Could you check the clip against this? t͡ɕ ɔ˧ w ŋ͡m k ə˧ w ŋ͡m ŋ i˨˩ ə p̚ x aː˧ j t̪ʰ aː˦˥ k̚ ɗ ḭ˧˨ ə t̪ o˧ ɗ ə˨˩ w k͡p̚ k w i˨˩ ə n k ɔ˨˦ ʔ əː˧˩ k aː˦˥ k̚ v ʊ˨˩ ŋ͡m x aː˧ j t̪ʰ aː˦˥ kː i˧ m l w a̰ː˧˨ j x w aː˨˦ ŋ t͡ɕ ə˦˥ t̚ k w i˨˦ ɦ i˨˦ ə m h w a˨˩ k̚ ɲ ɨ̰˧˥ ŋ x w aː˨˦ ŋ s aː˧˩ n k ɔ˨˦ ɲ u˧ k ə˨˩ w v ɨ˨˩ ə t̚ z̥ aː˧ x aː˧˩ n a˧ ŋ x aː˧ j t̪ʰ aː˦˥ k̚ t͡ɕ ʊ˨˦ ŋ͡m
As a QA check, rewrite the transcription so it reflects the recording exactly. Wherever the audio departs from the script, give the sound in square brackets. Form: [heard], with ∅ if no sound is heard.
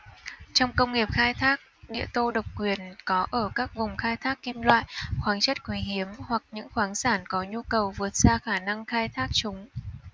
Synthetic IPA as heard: t͡ɕ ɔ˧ w ŋ͡m k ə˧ w ŋ͡m ŋ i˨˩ ə p̚ x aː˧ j t̪ʰ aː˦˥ k̚ ɗ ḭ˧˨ ə t̪ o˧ ɗ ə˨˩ w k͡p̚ k w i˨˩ ə n k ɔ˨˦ ʔ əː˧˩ k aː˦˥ k̚ v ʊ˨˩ ŋ͡m x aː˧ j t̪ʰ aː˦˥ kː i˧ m l w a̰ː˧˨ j x w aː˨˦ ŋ t͡ɕ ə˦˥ t̚ k w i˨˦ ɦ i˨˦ ə m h w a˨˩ k̚ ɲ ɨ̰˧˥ ŋ x w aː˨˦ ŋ s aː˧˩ n k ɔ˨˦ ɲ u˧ k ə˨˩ w v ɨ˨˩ ə t̚ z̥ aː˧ x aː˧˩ n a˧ ŋ x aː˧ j t̪ʰ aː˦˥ k̚ t͡ɕ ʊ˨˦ ŋ͡m